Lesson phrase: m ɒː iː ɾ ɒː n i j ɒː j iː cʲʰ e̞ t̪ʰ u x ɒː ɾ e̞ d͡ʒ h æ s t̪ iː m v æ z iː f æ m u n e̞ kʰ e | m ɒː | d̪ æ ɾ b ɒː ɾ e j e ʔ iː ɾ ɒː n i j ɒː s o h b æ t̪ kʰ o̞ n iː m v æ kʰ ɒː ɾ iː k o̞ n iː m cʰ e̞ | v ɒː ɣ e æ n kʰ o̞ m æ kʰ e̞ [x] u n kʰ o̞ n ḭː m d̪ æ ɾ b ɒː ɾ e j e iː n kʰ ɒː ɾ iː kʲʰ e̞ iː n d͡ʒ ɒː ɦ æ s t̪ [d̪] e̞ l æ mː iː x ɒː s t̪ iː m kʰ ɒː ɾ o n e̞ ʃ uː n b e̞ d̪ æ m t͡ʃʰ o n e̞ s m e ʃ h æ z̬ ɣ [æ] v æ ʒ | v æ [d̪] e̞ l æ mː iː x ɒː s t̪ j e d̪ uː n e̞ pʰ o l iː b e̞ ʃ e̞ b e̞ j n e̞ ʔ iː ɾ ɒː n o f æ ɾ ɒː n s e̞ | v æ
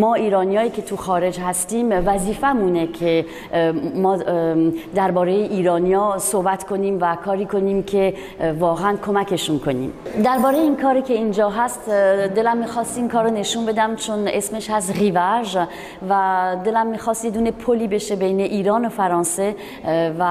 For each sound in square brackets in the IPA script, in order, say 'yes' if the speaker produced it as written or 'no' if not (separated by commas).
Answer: no, yes, no, yes